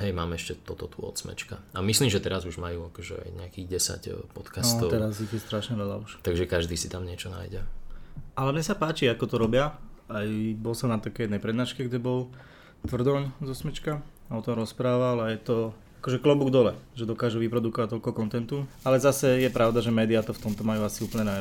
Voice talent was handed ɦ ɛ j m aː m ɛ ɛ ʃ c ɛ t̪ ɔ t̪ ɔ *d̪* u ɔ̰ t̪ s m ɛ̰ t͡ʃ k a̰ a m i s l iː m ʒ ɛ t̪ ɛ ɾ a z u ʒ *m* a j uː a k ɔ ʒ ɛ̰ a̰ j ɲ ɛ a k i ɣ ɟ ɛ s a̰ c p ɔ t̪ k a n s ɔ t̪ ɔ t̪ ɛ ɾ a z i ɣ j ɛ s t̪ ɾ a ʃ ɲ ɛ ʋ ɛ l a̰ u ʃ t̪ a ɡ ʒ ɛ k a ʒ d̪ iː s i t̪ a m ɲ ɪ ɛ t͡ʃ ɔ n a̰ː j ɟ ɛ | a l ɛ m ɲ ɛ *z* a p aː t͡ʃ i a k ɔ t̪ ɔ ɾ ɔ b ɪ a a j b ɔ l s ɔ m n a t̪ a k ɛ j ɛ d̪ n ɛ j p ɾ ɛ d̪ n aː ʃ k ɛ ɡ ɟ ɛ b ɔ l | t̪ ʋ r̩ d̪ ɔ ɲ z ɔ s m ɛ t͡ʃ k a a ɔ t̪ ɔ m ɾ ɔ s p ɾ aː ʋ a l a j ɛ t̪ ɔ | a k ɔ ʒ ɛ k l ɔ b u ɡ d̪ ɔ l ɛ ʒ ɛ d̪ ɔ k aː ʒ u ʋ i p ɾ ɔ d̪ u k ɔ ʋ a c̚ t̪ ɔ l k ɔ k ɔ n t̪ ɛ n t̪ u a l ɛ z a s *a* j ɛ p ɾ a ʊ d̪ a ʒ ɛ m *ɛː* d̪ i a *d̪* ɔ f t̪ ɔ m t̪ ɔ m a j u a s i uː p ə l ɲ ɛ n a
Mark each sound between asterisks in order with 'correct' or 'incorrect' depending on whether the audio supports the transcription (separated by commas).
incorrect, correct, incorrect, incorrect, correct, incorrect